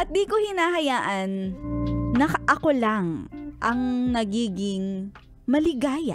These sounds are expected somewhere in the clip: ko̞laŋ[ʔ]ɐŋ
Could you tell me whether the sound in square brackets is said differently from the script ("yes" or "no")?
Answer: no